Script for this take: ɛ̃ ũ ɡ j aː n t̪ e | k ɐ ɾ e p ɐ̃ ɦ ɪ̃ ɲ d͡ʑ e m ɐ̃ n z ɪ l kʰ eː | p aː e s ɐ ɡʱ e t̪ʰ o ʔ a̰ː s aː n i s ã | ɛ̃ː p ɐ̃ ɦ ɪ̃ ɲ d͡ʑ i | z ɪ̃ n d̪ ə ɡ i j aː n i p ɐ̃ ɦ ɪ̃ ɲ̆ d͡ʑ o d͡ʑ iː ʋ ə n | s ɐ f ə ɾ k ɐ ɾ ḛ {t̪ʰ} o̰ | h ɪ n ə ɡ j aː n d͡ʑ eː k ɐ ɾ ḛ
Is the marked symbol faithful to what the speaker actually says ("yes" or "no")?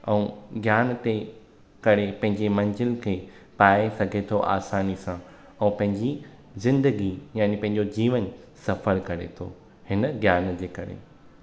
yes